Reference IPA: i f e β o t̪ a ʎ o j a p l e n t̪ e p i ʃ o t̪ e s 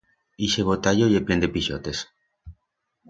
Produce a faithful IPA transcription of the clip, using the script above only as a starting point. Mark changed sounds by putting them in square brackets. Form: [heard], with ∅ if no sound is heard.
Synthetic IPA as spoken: i [ʃ] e β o t̪ a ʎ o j [e] p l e n [d̪] e p i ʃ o t̪ e s